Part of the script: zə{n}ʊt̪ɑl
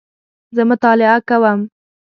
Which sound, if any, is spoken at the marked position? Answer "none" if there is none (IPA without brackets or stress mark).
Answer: m